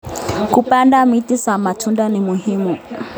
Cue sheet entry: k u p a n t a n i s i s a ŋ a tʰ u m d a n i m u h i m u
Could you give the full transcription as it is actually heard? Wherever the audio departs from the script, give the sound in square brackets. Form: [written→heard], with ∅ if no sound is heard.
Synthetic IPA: k u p a n [t→d] a [n→m] i [s→t] i s a [ŋ→m] a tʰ u [m→n] d a n i m u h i m u